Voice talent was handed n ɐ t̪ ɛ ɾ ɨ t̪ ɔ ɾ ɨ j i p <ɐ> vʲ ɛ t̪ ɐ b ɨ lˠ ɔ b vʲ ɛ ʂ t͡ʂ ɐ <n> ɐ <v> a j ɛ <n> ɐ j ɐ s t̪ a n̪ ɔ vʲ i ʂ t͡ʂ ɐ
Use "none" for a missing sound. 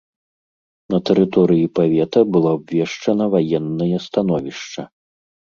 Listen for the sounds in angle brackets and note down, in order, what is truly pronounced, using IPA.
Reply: a, n, v, nː

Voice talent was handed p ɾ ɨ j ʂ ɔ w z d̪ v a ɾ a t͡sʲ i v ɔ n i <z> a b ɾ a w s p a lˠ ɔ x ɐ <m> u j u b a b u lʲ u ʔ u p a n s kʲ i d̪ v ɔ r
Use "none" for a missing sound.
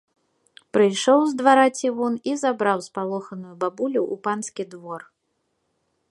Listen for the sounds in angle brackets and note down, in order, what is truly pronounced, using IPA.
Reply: z, n

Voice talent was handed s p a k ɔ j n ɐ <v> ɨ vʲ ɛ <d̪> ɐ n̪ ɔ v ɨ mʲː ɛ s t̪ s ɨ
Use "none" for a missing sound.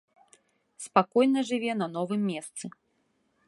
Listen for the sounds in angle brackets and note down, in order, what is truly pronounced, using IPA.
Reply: ʐ, n̪

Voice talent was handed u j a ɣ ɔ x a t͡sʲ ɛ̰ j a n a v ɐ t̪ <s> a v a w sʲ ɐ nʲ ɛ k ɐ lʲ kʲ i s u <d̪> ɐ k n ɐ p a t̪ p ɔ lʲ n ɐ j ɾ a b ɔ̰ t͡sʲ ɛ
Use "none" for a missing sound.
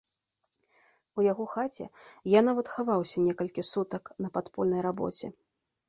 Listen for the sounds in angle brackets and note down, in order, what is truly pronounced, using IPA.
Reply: x, t̪

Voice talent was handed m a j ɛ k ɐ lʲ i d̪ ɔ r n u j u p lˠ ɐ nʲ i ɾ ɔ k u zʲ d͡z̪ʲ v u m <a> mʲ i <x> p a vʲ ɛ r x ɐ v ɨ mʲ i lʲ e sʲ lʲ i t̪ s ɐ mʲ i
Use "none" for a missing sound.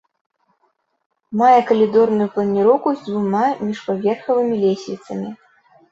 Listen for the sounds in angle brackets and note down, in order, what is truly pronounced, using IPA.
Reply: a, ʂ

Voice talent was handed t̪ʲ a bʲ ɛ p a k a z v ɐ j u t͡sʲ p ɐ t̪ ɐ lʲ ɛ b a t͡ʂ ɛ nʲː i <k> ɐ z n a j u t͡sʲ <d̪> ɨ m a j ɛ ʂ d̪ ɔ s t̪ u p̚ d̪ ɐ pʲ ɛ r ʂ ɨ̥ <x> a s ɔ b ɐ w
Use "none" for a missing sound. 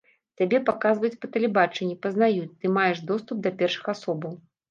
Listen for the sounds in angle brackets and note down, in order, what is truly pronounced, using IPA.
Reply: p, t̪, x

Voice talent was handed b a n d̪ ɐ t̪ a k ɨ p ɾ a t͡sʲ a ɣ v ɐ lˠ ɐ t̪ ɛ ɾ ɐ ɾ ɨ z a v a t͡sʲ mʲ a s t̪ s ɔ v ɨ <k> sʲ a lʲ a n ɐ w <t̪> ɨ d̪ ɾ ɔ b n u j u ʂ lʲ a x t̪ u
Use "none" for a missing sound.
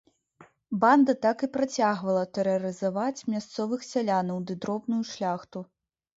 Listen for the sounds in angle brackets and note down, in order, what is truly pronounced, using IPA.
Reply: x, d̪

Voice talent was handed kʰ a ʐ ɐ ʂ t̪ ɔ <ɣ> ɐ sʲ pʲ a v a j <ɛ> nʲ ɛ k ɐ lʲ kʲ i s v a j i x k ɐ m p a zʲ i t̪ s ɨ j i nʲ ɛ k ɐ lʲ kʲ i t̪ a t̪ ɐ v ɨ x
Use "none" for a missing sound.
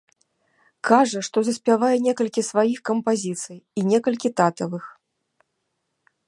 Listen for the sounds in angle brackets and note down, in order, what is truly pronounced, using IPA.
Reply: z, ɛ

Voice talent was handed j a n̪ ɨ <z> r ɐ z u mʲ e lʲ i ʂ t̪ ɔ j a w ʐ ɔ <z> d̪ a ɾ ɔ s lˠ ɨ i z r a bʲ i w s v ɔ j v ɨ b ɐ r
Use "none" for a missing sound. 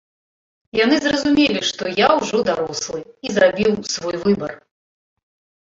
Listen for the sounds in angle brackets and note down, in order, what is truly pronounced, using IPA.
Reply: z, none

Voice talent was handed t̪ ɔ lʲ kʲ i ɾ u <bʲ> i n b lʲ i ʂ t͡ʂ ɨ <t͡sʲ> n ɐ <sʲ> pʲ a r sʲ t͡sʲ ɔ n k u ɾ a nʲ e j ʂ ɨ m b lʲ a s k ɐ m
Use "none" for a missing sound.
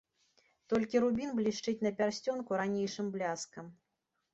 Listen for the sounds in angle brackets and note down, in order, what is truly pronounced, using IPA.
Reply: bʲ, t͡sʲ, none

